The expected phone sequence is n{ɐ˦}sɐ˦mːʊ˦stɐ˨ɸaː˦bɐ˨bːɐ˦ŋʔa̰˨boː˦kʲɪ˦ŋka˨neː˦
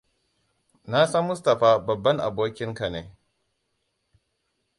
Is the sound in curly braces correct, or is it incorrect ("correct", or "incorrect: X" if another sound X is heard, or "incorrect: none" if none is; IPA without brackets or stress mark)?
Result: incorrect: a˦